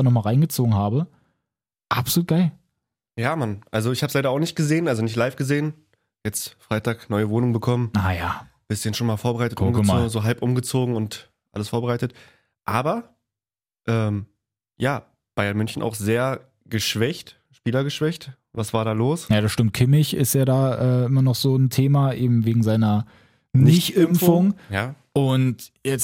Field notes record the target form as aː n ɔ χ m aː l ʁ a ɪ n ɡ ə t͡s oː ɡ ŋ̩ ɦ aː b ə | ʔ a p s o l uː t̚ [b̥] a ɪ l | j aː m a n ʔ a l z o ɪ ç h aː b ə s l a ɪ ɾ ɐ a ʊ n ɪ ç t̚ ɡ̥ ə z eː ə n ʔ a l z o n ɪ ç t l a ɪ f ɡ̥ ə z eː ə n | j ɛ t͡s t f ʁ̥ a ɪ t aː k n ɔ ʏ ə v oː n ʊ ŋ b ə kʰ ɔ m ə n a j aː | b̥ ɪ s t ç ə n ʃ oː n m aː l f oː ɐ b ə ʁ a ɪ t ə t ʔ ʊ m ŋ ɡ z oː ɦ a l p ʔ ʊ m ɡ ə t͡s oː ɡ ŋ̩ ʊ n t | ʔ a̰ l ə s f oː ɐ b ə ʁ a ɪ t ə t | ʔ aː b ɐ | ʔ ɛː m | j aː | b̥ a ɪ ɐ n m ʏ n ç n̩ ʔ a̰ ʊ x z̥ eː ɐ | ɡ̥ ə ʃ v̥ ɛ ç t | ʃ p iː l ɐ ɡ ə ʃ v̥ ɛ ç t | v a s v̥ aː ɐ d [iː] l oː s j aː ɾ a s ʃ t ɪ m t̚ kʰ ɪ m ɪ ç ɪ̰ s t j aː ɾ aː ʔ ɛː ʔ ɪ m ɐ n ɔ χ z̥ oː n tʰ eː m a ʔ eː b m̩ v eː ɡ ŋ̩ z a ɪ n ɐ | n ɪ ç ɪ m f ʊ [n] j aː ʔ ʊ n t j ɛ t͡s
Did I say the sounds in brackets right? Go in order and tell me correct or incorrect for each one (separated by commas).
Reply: incorrect, incorrect, incorrect